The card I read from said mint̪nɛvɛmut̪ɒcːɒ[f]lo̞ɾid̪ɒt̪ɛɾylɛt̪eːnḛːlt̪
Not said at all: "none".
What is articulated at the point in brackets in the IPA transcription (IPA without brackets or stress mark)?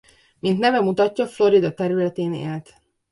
f